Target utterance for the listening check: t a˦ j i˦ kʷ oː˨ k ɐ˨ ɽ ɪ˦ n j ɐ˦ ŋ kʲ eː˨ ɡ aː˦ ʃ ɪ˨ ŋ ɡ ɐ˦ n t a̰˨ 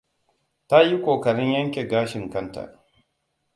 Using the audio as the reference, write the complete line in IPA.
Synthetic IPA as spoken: t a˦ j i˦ kʷ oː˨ k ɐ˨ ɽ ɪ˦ ɲ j ɐ˦ ŋ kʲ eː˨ ɡ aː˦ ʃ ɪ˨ ŋ k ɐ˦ n t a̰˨

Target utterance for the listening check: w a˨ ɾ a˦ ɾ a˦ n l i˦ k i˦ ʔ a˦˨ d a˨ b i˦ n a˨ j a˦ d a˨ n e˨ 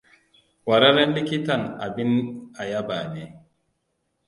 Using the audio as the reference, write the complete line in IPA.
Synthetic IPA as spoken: w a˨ ɾ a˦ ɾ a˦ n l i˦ k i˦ t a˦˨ n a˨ b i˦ n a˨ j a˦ b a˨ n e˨

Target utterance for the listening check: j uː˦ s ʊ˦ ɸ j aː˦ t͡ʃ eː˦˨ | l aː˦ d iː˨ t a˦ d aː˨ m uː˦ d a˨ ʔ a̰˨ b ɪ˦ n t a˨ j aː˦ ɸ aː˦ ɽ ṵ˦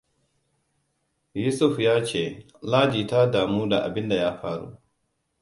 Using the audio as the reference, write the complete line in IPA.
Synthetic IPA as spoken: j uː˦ s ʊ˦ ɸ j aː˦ t͡ʃ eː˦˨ | l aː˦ d͡ʒ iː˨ t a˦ d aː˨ m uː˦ d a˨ ʔ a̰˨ b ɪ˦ n d a˨ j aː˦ ɸ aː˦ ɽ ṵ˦

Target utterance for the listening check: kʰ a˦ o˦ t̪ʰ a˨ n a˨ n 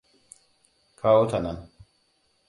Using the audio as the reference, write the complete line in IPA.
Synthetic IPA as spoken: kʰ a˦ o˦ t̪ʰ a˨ n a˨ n

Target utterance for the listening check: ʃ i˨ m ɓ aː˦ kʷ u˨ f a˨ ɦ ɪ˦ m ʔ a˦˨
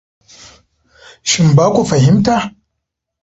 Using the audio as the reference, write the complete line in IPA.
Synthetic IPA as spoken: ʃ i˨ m b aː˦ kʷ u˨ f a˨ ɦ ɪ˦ m t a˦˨

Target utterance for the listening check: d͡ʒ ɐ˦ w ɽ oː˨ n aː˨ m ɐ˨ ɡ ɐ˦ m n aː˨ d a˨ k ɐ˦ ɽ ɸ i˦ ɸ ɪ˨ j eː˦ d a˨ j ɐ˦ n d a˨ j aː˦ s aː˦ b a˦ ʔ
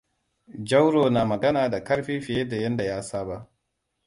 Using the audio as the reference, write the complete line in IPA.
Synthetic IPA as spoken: d͡ʒ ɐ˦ w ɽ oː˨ n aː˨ m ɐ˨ ɡ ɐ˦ n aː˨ d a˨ k ɐ˦ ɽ ɸ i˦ ɸ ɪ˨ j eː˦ d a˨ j ɐ˦ n d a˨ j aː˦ s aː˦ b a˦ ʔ

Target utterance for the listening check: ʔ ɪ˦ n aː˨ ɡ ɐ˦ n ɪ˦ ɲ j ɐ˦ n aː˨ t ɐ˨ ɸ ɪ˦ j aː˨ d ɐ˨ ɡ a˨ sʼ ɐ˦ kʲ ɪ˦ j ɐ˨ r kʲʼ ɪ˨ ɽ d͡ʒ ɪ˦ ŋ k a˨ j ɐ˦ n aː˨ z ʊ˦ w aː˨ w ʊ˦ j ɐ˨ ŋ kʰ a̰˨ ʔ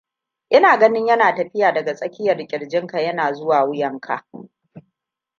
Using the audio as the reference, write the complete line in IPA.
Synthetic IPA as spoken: ʔ ɪ˦ n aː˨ ɡ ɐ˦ n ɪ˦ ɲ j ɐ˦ n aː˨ t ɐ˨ ɸ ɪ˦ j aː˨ d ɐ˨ ɡ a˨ sʼ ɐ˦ kʲ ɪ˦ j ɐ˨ r kʲʼ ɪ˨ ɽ d͡ʒ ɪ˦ ŋ k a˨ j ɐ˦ n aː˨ z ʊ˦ w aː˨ w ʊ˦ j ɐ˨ ŋ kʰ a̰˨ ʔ

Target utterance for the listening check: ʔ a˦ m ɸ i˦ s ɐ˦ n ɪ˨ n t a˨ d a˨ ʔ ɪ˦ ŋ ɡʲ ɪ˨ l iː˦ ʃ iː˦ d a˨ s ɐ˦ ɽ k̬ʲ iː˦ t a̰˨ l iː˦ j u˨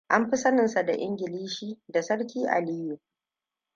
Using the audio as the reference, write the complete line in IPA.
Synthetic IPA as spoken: ʔ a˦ m ɸ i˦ s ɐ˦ n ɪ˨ n s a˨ d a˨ ʔ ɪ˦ ŋ ɡʲ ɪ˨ l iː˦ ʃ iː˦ d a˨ s ɐ˦ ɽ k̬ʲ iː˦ ʔ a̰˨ l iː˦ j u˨

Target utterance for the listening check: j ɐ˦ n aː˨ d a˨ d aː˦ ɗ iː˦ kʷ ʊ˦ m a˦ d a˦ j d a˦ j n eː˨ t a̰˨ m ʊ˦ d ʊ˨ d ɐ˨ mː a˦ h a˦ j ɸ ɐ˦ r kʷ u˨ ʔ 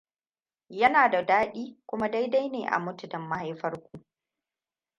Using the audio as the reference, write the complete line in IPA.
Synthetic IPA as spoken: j ɐ˦ n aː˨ d a˨ d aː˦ ɗ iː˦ kʷ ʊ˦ m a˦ d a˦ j d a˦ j n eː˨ ʔ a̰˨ m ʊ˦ t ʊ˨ d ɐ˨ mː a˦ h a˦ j ɸ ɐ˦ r kʷ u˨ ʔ

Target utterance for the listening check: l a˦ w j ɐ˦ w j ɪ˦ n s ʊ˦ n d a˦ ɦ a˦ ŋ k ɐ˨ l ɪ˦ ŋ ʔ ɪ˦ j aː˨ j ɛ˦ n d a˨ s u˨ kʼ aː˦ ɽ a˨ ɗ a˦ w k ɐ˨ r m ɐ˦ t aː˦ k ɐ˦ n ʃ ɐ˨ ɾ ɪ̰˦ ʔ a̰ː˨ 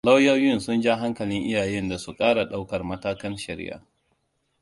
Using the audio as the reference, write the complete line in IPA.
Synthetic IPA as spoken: l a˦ w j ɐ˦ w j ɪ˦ n s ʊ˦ n d͡ʒ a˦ ɦ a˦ ŋ k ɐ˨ l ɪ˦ ŋ ʔ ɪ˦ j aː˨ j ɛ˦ n d a˨ s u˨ kʼ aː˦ ɽ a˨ ɗ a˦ w k ɐ˨ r m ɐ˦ t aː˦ k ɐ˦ n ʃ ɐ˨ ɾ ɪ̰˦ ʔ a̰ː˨

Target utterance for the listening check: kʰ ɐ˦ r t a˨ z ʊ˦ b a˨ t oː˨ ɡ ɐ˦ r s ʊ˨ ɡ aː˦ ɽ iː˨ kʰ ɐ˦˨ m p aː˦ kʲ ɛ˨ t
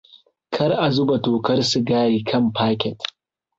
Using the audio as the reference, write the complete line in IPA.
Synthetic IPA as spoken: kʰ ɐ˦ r ʔ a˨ z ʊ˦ b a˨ t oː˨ k ɐ˦ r s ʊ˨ ɡ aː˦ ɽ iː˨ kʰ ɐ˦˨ m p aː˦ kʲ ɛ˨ t

